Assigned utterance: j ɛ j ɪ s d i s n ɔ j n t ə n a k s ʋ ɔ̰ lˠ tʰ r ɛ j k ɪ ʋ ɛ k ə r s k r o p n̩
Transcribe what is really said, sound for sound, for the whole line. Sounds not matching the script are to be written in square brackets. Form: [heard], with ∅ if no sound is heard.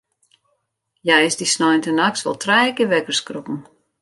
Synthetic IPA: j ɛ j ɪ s d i s n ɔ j n t ə n a k s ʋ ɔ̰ lˠ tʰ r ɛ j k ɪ ʋ ɛ k ə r s k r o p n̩